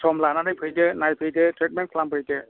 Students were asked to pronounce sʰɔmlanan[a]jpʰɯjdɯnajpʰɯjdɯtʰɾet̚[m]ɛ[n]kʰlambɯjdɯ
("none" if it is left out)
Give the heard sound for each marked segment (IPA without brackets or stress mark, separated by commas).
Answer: a, m, n